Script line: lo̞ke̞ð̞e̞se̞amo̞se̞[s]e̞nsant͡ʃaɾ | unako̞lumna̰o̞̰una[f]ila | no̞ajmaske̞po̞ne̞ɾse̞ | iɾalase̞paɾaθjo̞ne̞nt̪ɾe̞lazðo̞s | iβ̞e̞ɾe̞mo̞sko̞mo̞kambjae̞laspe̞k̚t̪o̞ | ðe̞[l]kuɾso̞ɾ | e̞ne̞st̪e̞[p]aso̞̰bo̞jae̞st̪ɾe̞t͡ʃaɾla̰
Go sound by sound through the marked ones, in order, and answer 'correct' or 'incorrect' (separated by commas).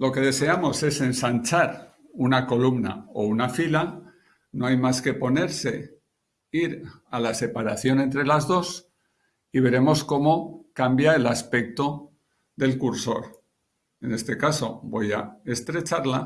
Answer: correct, correct, correct, incorrect